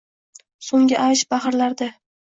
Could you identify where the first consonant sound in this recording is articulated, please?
alveolar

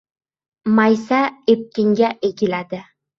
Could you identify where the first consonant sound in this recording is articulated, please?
labial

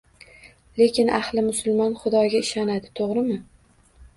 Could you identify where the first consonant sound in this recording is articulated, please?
alveolar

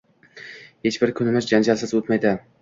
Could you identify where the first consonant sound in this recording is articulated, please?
glottal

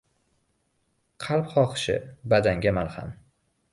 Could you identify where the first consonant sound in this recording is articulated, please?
uvular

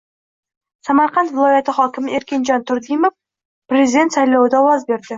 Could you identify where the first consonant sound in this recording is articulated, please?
alveolar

